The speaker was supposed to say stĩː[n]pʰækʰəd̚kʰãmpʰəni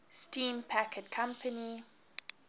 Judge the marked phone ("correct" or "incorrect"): incorrect